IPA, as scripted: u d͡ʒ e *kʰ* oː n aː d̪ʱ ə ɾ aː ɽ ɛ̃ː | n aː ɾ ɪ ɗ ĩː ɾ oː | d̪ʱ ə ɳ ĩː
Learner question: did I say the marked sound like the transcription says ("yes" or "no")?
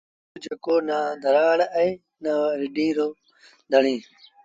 no